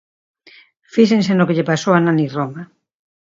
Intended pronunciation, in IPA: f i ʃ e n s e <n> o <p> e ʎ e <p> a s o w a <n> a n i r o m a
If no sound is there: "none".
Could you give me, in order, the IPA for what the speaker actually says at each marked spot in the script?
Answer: n, k, p, n

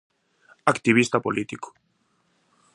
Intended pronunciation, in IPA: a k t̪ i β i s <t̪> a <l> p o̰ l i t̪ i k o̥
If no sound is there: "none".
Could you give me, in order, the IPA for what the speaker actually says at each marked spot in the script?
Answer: t̪, none

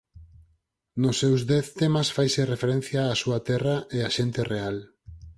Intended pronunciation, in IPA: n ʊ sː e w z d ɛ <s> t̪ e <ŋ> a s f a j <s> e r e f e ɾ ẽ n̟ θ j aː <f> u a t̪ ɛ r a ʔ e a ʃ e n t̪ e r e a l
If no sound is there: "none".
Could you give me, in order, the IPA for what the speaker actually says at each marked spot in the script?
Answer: θ, m, s, s

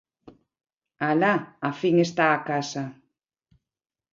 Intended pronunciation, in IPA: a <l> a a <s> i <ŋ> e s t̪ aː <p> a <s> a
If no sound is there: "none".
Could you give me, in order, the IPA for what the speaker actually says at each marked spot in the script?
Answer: l, f, ŋ, k, s

